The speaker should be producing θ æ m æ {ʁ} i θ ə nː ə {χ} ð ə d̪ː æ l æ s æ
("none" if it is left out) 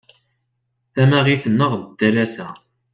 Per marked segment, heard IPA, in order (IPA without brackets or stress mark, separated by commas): ʁ, ʁ